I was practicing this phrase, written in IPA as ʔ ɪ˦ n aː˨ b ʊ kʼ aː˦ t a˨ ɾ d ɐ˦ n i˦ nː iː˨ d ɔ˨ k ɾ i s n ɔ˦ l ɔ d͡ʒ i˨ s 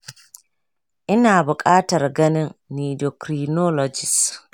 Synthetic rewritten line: ʔ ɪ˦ n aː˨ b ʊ kʼ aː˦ t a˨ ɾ ɡ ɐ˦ n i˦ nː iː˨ d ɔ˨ k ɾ i n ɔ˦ l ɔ d͡ʒ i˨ s